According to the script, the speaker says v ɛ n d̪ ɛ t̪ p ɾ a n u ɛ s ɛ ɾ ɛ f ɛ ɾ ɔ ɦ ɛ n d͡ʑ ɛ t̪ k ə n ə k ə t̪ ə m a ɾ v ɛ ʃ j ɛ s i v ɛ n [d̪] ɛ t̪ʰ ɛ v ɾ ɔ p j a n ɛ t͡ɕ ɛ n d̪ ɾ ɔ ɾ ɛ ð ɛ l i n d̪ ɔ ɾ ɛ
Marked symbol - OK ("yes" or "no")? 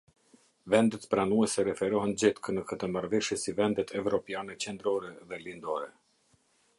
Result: yes